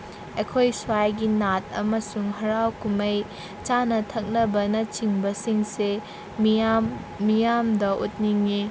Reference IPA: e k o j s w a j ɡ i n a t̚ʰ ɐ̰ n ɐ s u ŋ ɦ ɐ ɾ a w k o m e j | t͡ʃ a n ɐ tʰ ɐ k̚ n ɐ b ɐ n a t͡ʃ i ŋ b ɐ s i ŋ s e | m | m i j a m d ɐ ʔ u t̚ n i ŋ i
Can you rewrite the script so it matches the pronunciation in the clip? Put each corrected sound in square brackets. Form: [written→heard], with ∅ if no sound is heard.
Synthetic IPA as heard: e [k→kʰ] o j s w a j ɡ i n a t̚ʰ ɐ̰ [n→m] ɐ s u ŋ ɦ ɐ ɾ a w k [o→u] m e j | t͡ʃ a n ɐ tʰ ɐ k̚ n ɐ b ɐ n [a→ɐ] t͡ʃ i ŋ b ɐ s i ŋ s e | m | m i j a m d ɐ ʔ u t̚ n i ŋ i